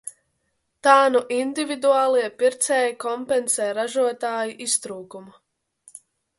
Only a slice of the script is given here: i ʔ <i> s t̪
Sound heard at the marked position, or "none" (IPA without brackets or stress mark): i